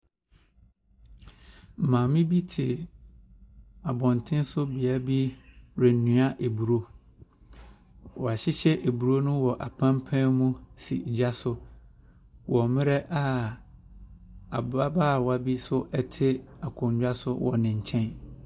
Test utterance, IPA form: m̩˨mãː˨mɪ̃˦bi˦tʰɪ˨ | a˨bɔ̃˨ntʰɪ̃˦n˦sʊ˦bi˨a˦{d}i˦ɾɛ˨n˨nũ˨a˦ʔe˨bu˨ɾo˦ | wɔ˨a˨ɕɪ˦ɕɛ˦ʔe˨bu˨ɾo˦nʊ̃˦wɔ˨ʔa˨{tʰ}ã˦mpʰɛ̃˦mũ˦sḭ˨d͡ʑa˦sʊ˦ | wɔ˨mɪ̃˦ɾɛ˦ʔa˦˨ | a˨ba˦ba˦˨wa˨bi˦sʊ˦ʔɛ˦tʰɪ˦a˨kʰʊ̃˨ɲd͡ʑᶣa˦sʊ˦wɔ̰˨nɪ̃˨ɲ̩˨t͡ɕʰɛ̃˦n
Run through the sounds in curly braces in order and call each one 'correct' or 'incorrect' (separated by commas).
incorrect, incorrect